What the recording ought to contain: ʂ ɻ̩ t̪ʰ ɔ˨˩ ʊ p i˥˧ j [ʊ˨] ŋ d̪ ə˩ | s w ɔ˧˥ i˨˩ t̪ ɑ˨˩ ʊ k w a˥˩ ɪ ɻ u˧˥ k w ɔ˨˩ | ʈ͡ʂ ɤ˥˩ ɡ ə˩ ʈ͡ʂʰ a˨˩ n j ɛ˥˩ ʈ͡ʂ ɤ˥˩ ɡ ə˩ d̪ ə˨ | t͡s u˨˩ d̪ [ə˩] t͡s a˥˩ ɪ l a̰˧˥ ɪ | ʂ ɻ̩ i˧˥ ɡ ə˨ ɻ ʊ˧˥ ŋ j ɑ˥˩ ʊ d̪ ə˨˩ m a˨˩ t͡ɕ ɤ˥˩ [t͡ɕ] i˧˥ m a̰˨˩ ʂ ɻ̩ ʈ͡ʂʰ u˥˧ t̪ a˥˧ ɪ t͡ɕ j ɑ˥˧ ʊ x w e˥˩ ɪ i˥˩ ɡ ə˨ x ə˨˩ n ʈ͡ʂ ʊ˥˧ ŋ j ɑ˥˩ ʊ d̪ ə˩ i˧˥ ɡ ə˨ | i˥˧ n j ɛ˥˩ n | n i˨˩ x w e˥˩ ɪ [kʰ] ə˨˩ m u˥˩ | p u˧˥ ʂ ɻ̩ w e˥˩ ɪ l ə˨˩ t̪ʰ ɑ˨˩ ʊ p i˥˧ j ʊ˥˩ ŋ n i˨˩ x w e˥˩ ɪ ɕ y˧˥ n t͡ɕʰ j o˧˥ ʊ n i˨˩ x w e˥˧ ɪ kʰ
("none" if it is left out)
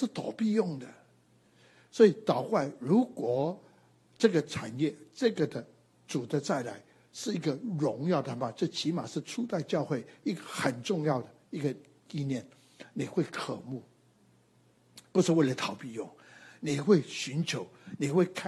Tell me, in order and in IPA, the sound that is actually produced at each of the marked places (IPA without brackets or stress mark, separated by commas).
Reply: ʊ˥˩, ə˦, t͡ɕʰ, kʰ